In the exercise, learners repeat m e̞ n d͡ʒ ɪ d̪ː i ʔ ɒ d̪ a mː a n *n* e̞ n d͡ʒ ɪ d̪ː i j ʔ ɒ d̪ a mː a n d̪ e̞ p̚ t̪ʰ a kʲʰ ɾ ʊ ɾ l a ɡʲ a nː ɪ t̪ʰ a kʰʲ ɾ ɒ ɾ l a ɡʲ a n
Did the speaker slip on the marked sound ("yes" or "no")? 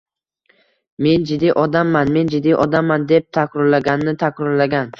yes